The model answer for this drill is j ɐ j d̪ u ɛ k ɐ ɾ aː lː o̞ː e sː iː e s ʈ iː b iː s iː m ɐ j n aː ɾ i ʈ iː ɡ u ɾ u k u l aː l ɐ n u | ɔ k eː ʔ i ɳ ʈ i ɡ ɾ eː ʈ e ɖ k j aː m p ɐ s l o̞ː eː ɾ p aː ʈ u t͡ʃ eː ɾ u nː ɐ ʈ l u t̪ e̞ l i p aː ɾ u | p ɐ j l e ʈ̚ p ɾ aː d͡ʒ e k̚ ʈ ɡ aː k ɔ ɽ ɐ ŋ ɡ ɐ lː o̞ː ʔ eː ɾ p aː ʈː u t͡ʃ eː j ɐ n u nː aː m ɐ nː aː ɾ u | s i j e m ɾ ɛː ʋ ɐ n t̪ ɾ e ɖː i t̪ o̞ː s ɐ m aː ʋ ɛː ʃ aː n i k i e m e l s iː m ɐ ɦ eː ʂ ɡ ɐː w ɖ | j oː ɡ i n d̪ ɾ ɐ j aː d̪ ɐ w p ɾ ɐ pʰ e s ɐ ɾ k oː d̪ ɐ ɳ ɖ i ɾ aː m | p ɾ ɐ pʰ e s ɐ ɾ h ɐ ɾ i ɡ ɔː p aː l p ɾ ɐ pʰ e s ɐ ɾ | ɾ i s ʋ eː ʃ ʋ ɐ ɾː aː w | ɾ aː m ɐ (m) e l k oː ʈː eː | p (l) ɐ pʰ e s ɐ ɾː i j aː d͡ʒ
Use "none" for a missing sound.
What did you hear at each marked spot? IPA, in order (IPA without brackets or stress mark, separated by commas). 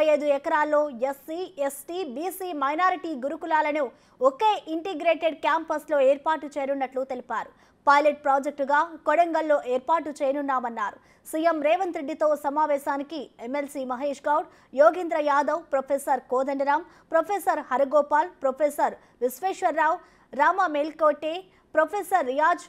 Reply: m, ɾ